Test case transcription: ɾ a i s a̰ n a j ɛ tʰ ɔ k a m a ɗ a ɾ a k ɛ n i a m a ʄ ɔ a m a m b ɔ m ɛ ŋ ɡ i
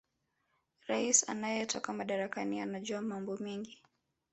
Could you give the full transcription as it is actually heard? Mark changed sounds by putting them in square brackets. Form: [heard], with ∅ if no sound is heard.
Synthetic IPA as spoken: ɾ a i s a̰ n a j ɛ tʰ ɔ k a m a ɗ a ɾ a k [a] n i a [n] a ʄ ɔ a m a m b ɔ m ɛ ŋ ɡ i